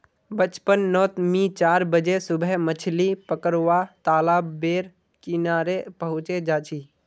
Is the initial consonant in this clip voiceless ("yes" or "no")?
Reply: no